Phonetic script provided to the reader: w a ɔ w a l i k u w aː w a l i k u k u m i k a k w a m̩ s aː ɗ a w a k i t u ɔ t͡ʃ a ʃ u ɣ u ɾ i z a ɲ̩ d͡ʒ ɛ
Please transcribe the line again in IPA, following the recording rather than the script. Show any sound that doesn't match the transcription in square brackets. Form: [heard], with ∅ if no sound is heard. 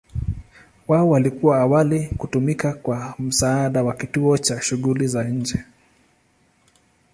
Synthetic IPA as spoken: w a ɔ w a l i k u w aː w a l i k u [t] u m i k a k w a m̩ s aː ɗ a w a k i t u ɔ t͡ʃ a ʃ u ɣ u [l] i z a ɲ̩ d͡ʒ ɛ

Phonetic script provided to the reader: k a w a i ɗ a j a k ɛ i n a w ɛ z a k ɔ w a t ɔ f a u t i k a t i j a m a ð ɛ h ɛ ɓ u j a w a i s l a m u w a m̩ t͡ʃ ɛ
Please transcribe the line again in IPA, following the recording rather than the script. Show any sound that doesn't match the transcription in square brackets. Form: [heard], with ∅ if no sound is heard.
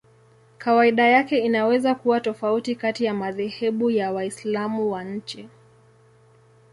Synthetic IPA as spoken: k a w a i ɗ a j a k ɛ i n a w ɛ z a k [u] w a t ɔ f a u t i k a t i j a m a ð ɛ h ɛ ɓ u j a w a i s l a m u w a [ɲ̩] t͡ʃ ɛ

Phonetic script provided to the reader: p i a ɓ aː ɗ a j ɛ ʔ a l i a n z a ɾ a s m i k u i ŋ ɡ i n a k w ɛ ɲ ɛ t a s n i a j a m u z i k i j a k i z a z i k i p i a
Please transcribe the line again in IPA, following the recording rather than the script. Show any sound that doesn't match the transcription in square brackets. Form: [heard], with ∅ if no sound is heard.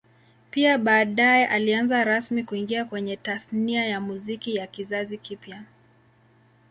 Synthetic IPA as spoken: p i a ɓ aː ɗ a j ɛ ʔ a l i a n z a ɾ a s m i k u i ŋ ɡ i [∅] a k w ɛ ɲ ɛ t a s n i a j a m u z i k i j a k i z a z i k i p [j] a

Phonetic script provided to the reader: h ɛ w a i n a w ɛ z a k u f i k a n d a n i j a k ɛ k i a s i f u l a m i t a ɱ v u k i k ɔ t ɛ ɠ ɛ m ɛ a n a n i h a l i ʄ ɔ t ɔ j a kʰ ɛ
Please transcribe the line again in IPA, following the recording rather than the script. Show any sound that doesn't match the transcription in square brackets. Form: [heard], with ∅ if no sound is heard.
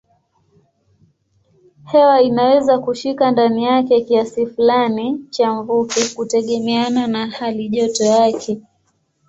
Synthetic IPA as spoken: h ɛ w a i n a w ɛ z a k u [ʃ] i k a n d a n i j a k ɛ k i a s i f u l a [n] i [t͡ʃ] a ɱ v u k i k [u] t ɛ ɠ ɛ m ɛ a n a n [a] h a l i ʄ ɔ t ɔ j a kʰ ɛ

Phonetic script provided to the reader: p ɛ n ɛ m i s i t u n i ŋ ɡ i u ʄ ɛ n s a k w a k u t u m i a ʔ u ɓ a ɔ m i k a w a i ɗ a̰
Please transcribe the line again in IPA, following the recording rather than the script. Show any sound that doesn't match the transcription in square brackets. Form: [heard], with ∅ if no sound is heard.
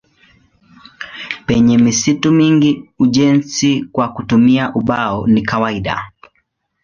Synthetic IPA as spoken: p ɛ [ɲ] ɛ m i s i t u [m] i ŋ ɡ i u ʄ ɛ n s [i] k w a k u t u m i a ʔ u ɓ a ɔ [n] i k a w a i ɗ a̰

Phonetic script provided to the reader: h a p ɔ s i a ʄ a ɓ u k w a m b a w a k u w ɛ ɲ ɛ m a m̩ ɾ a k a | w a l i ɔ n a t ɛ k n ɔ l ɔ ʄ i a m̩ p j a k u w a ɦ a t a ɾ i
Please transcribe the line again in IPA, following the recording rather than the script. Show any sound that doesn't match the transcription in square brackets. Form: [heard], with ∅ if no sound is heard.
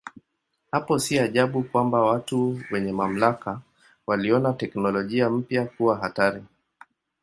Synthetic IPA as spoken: h a p ɔ s i a ʄ a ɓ u k w a m b a w a [t] u w ɛ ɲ ɛ m a m̩ [l] a k a | w a l i ɔ n a t ɛ k n ɔ l ɔ ʄ i a m̩ p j a k u w a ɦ a t a ɾ i

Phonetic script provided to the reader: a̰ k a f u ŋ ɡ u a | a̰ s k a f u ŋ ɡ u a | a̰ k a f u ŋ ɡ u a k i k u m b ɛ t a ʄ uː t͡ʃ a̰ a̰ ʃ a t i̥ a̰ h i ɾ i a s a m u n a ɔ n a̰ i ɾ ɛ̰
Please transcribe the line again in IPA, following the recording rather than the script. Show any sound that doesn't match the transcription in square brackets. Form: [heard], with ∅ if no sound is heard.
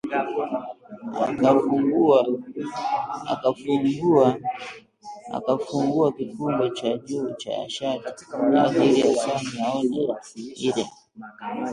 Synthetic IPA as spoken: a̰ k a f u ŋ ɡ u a | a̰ [∅] k a f u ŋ ɡ u a | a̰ k a f u ŋ ɡ u a k i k u m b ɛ [t͡ʃ] a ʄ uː t͡ʃ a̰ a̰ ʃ a t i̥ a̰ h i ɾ i a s a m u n a ɔ n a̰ i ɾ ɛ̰

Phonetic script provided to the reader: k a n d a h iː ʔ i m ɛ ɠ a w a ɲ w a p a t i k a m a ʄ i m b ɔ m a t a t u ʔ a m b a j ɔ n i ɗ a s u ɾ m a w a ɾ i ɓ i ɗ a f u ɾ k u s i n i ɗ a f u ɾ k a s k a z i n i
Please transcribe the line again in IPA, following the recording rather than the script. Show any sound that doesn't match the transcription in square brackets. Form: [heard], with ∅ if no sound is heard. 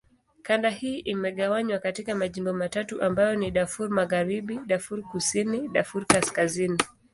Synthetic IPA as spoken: k a n d a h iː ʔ i m ɛ ɠ a w a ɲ w a [k] a t i k a m a ʄ i m b ɔ m a t a t u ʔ a m b a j ɔ n i ɗ a [f] u ɾ m a [ɣ] a ɾ i ɓ i ɗ a f u ɾ k u s i n i ɗ a f u ɾ k a s k a z i n i

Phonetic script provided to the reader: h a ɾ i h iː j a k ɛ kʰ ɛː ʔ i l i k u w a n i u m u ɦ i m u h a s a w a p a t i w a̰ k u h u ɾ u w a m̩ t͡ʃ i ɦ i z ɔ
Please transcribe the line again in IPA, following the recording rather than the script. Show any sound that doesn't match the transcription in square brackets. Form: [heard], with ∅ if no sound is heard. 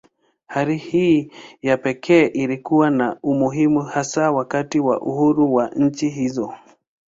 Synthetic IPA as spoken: h a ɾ i h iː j a [p] ɛ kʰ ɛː ʔ i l i k u w a n [a] u m u ɦ i m u h a s a w a [k] a t i w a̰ [ʔ] u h u ɾ u w a [ɲ̩] t͡ʃ i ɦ i z ɔ

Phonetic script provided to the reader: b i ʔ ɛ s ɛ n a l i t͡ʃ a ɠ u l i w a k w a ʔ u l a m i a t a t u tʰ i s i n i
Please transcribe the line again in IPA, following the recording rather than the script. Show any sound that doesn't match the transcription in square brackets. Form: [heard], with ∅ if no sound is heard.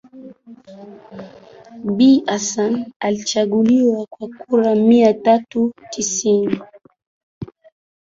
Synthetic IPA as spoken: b i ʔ [a] s [a] n a l i t͡ʃ a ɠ u l i w a k w a [k] u [ɾ] a m i a t a t u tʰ i s i n i

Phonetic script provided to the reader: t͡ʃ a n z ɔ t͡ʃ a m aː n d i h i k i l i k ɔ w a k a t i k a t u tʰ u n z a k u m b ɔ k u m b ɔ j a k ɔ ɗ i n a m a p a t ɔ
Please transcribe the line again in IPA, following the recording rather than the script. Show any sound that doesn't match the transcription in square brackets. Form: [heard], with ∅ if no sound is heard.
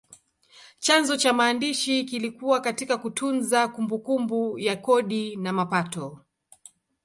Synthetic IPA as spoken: t͡ʃ a n z ɔ t͡ʃ a m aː n d i [ʃ] i k i l i k [u] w a k a t i k a [k] u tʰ u n z a k u m b [u] k u m b [u] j a k ɔ ɗ i n a m a p a t ɔ

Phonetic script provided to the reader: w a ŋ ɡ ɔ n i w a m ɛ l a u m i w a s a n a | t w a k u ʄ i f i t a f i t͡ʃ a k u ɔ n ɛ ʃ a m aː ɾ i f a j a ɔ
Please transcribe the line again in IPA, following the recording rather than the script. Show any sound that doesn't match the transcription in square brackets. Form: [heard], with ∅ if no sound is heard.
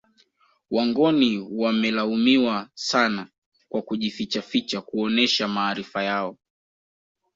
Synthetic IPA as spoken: w a ŋ ɡ ɔ n i w a m ɛ l a u m i w a s a n a | [k] w a k u ʄ i f i [t͡ʃ] a f i t͡ʃ a k u ɔ n ɛ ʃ a m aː ɾ i f a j a ɔ

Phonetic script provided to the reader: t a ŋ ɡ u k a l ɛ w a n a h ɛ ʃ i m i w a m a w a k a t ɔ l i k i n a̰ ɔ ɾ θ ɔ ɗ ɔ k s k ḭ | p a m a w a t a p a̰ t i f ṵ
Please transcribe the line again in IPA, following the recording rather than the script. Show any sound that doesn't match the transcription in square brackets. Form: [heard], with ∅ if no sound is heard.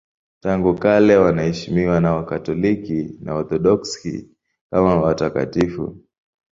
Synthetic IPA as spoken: t a ŋ ɡ u k a l ɛ w a n a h ɛ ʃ i m i w a [n] a w a k a t ɔ l i k i n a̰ ɔ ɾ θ ɔ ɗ ɔ k s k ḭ | [k] a m a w a t a [k] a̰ t i f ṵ

